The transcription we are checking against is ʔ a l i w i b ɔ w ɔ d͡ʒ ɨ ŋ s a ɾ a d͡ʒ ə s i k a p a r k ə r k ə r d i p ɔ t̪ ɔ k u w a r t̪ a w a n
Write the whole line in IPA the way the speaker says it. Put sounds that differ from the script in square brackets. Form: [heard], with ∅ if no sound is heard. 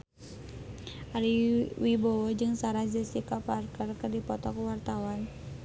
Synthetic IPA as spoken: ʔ a l i w i b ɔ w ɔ d͡ʒ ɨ ŋ s a ɾ a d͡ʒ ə s i k a p a r k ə r k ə r d i p ɔ t̪ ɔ k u w a r t̪ a w a n